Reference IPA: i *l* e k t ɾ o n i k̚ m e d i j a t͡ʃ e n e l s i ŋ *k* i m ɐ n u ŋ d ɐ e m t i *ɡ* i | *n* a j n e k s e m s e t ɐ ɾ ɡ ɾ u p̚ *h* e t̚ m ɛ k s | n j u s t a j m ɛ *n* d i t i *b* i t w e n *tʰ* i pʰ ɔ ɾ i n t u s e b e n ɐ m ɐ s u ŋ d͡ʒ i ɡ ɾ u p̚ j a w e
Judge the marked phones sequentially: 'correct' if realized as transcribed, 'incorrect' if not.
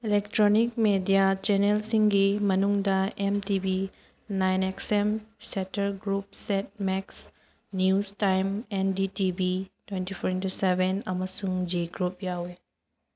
correct, incorrect: ɡ, incorrect: b, correct, incorrect: s, correct, correct, incorrect: t

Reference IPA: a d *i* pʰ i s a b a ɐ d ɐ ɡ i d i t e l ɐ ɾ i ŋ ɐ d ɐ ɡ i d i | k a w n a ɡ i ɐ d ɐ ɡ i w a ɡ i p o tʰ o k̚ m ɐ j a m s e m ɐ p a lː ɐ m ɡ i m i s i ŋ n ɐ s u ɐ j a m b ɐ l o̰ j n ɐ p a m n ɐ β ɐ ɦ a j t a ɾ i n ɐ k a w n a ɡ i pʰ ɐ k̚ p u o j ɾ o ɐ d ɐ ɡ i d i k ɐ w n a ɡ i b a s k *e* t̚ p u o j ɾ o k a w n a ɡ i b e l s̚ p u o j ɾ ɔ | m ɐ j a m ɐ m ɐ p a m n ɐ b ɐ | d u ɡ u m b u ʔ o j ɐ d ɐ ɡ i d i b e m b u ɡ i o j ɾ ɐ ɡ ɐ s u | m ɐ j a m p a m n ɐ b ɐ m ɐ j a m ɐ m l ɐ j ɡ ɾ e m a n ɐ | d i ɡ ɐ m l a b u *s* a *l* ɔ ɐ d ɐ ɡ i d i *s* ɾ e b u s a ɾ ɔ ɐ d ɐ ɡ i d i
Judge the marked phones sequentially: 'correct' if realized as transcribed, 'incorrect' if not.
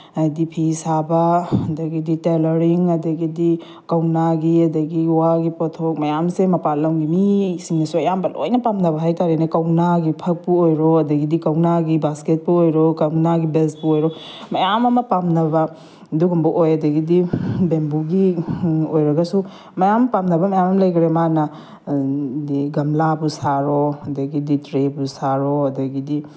correct, correct, correct, incorrect: ɾ, incorrect: t

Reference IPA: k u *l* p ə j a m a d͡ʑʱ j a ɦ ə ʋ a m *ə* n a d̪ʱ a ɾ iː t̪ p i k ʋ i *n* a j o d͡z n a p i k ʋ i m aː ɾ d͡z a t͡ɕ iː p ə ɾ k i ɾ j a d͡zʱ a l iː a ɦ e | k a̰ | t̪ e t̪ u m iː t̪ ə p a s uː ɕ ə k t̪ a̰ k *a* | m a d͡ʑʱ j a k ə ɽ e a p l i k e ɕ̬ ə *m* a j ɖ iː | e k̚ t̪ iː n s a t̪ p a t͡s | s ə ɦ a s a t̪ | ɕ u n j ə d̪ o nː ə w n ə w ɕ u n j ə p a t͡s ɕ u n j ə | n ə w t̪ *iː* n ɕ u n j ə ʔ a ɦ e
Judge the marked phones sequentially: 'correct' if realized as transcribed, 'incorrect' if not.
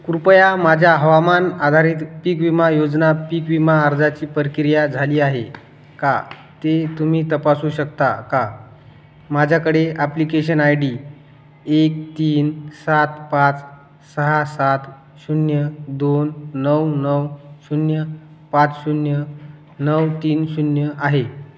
incorrect: ɾ, incorrect: a, incorrect: m, correct, incorrect: n, correct

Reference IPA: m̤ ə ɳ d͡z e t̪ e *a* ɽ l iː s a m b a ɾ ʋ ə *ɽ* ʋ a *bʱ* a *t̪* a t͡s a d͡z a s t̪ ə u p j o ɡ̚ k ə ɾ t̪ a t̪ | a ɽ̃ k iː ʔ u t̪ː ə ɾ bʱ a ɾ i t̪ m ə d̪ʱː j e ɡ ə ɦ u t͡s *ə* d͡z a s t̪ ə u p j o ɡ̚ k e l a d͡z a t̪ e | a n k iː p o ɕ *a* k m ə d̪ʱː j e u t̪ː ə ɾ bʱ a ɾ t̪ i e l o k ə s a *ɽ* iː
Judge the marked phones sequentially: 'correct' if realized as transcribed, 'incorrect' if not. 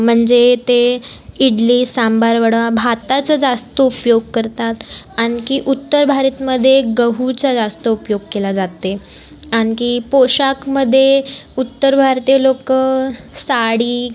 incorrect: i, correct, correct, correct, incorrect: a, correct, correct

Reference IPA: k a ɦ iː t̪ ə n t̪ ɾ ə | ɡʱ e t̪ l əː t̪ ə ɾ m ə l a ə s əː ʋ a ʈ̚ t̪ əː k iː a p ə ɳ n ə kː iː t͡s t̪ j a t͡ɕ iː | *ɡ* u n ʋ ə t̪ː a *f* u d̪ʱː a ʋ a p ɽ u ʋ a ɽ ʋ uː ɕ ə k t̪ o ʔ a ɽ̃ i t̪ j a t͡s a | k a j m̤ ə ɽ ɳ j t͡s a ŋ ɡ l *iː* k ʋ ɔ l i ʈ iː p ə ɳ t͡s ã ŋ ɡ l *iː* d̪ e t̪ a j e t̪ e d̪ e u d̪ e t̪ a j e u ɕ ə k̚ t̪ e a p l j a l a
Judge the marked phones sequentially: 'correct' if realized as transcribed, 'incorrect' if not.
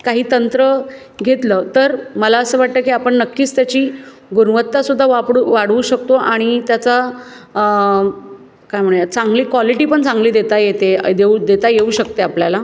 correct, incorrect: s, correct, correct

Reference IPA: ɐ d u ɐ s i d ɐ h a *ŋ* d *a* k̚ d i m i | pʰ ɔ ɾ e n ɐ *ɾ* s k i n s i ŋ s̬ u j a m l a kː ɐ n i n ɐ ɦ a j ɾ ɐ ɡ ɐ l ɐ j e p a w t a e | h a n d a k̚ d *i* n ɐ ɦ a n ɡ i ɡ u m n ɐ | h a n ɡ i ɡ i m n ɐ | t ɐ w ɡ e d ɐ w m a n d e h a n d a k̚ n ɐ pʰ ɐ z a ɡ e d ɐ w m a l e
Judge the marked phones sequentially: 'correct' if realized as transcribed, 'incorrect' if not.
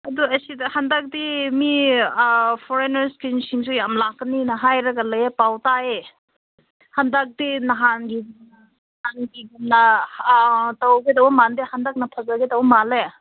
incorrect: n, correct, correct, correct

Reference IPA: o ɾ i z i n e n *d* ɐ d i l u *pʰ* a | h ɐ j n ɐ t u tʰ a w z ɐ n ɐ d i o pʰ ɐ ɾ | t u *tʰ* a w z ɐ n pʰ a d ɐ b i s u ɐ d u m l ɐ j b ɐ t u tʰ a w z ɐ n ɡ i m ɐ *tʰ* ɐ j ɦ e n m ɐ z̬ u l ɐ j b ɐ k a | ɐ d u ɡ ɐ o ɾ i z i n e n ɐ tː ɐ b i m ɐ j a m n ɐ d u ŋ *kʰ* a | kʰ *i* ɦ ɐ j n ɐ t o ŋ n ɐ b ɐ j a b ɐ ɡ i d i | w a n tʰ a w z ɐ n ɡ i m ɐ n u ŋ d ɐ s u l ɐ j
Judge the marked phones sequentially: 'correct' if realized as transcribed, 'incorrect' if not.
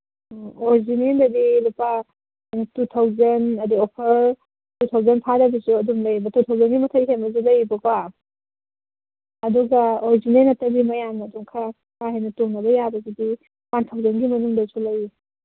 correct, incorrect: p, correct, correct, correct, incorrect: a

